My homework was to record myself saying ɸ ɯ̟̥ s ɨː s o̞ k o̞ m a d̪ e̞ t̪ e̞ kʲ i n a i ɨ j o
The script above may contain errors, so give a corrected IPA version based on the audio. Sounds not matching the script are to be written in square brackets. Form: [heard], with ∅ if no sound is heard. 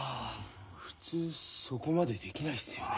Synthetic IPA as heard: ɸ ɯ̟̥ [t͡s] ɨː s o̞ k o̞ m a d̪ e̞ [d̪] e̞ kʲ i n a i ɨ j o